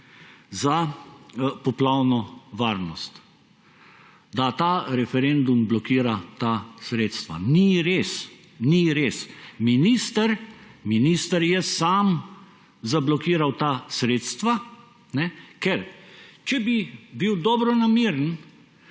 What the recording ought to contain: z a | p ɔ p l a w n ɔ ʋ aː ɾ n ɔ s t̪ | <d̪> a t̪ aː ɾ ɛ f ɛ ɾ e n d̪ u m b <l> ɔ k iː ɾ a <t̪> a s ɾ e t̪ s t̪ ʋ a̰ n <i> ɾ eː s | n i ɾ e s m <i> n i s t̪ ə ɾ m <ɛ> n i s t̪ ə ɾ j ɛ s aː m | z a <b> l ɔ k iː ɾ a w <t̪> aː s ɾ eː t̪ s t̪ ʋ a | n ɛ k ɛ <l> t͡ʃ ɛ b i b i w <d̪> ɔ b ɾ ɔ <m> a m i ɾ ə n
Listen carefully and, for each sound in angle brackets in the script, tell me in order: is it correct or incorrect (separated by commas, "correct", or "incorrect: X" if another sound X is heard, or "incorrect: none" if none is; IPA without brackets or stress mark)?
correct, correct, correct, correct, correct, incorrect: i, correct, correct, incorrect: ɾ, correct, incorrect: n